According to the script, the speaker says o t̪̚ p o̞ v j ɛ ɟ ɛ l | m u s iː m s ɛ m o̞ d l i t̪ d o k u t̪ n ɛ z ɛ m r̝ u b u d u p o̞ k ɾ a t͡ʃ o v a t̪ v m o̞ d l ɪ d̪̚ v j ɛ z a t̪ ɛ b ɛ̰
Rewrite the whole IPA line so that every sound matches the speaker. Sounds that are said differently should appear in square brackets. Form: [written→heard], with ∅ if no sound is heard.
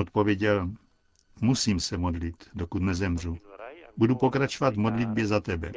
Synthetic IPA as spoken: o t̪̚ p o̞ v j ɛ ɟ ɛ l | m u s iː m s ɛ m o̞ d l i t̪ d o k u t̪ n ɛ z ɛ m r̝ u b u d u p o̞ k ɾ a t͡ʃ o v a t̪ v m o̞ d l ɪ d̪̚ [v→b] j ɛ z a t̪ ɛ b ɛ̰